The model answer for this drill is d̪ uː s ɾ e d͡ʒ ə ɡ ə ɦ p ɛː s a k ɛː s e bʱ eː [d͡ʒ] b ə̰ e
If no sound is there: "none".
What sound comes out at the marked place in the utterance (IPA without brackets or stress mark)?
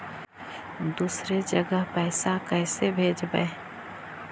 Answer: d͡ʒ